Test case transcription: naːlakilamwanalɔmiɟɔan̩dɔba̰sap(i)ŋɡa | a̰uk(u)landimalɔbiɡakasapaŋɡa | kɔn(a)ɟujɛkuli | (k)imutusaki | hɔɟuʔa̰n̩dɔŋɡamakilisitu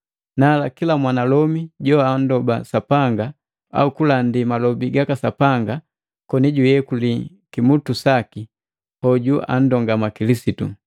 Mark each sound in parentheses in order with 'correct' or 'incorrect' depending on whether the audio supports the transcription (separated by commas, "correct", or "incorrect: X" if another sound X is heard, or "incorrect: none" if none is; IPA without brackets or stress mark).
incorrect: a, correct, incorrect: i, correct